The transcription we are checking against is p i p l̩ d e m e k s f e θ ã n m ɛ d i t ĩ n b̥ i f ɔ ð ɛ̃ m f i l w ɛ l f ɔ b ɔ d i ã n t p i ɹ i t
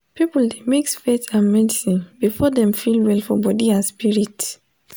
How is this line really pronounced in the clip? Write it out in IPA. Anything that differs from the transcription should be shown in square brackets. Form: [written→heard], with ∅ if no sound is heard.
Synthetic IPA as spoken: p i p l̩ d e m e k s f e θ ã n m ɛ d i [t→s] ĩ n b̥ i f ɔ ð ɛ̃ m f i l w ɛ l f ɔ b ɔ d i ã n [t→s] p i ɹ i t